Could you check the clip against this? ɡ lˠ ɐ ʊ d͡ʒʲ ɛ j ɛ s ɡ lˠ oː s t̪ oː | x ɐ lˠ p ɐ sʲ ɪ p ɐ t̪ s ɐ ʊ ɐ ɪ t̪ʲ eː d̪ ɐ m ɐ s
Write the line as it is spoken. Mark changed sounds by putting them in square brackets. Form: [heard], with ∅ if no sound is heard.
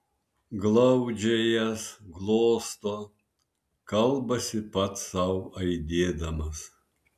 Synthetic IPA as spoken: ɡ lˠ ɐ ʊ d͡ʒʲ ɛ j ɛ s ɡ lˠ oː s t̪ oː | [k] ɐ lˠ [b] ɐ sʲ ɪ p ɐ t̪ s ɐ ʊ ɐ ɪ [d̪ʲ] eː d̪ ɐ m ɐ s